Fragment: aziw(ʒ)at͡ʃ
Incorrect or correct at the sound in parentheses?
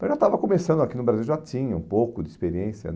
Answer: correct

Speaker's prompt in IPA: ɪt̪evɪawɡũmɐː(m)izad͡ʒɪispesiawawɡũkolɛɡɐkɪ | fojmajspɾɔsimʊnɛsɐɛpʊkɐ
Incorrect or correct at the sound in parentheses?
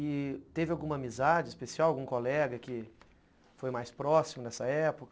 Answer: correct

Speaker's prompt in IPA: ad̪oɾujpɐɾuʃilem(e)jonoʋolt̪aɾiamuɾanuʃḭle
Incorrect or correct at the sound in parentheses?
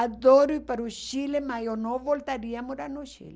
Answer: incorrect: a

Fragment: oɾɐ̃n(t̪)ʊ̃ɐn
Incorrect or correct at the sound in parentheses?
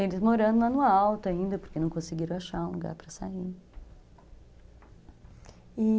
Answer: incorrect: d̪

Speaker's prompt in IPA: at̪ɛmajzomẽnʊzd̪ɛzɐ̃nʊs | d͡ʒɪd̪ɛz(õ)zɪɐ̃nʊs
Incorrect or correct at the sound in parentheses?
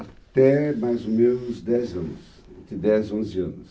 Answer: correct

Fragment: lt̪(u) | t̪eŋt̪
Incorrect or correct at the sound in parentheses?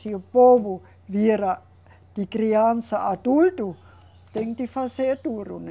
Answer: correct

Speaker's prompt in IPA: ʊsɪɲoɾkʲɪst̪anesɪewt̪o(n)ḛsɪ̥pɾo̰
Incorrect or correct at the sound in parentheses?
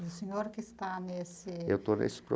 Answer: correct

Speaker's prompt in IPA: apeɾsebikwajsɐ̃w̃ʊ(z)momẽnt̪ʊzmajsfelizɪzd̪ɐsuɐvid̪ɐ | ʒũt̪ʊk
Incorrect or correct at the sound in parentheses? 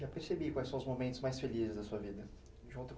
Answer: correct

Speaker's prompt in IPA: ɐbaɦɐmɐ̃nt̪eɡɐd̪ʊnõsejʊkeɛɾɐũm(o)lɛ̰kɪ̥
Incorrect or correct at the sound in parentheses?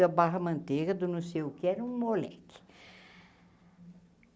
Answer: correct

